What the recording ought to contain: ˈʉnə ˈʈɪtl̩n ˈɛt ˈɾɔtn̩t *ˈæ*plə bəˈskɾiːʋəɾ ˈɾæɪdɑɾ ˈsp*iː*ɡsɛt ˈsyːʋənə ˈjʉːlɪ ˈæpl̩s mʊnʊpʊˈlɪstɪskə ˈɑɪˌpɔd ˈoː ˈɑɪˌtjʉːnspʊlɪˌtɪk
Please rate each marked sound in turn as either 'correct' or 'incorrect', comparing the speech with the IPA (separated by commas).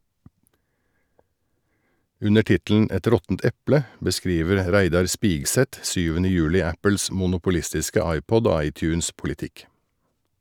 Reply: incorrect, correct